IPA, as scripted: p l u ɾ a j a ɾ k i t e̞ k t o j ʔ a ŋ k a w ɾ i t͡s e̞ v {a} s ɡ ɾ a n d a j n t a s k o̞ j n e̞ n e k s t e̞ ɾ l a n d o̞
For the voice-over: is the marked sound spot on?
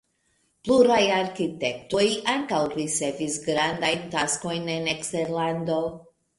no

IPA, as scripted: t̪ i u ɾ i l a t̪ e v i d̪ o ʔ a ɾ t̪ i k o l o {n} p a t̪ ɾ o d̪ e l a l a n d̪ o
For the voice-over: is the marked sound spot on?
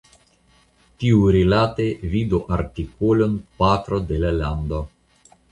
yes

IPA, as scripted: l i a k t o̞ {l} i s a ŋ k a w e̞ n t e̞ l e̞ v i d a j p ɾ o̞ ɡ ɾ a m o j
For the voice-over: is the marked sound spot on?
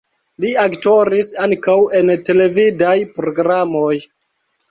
no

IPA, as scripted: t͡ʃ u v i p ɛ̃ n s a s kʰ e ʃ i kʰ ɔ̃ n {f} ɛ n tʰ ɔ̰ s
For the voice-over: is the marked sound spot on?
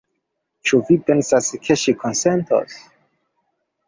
no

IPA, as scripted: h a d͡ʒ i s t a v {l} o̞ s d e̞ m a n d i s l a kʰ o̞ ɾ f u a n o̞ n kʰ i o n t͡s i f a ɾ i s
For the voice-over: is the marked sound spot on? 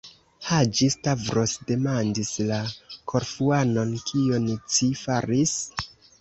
no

